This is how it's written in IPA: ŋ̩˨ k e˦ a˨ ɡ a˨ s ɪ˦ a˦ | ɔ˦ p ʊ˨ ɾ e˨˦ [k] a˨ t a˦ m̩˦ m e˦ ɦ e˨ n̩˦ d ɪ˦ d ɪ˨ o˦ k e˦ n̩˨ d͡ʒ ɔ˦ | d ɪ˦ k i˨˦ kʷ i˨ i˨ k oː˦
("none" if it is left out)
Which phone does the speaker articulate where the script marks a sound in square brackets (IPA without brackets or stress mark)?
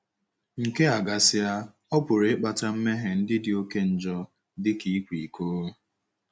k͡p